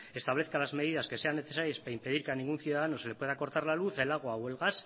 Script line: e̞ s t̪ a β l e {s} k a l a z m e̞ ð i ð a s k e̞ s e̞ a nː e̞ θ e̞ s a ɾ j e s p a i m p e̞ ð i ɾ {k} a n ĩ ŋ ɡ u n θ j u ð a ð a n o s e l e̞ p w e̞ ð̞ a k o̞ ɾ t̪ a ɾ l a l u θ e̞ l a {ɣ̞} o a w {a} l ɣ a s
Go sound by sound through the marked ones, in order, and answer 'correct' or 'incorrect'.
incorrect, correct, correct, incorrect

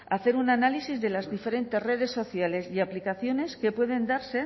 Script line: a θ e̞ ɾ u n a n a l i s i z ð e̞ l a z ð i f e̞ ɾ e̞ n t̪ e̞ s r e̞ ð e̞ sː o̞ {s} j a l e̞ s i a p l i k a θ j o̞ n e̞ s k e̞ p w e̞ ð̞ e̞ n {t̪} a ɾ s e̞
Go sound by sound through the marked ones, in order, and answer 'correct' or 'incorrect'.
incorrect, incorrect

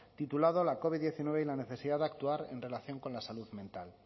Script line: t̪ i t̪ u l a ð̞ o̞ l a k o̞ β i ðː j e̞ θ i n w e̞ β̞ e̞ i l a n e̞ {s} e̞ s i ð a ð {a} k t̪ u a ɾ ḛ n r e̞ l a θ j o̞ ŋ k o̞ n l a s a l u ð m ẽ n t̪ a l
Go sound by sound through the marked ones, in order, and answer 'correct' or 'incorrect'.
incorrect, correct

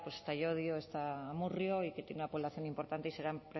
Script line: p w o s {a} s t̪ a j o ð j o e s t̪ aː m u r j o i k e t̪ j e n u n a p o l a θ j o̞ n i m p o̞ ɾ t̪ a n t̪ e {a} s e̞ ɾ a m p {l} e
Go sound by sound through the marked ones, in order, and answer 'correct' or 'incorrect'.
incorrect, incorrect, incorrect

